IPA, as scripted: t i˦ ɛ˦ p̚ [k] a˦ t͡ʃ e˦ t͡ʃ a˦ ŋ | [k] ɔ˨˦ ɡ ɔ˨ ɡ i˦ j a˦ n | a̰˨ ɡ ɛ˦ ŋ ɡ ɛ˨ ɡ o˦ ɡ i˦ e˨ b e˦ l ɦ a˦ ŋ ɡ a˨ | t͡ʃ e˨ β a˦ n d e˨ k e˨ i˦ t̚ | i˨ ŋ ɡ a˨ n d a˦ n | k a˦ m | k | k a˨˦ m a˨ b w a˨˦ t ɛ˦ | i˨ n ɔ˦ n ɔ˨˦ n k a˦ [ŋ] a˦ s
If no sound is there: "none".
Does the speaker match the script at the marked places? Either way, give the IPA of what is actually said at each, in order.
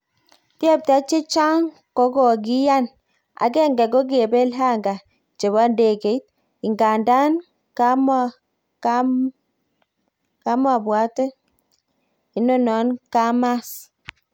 t, k, m

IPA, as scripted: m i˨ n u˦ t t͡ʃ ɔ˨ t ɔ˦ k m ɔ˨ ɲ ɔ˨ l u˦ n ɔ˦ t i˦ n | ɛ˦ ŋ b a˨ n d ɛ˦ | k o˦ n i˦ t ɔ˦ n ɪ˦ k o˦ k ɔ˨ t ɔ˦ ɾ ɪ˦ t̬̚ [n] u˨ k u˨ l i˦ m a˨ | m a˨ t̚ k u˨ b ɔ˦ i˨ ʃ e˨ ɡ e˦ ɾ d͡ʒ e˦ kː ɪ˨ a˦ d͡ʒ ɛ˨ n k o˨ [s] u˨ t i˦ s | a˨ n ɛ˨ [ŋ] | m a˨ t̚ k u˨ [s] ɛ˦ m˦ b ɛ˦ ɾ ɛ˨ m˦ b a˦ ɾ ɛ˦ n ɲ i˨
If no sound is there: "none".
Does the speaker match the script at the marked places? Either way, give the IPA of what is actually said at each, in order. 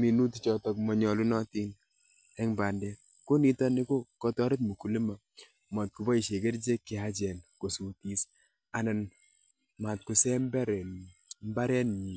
m, s, n, s

